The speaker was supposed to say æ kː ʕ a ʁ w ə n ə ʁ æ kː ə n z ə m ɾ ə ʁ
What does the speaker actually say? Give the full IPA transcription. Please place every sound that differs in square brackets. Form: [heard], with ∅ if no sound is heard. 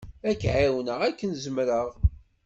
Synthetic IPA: æ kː ʕ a [∅] w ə n ə ʁ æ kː ə n z ə m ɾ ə ʁ